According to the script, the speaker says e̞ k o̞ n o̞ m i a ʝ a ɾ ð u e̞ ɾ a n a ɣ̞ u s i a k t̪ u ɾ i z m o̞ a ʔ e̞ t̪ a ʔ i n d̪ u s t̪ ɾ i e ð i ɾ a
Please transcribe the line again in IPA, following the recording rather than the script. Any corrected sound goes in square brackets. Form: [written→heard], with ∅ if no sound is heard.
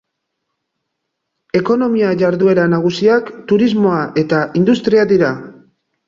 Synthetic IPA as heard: e̞ k o̞ n o̞ m i a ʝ a ɾ ð u e̞ ɾ a n a ɣ̞ u s i a k t̪ u ɾ i z m o̞ a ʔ e̞ t̪ a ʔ i n d̪ u s t̪ ɾ i [e→a] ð i ɾ a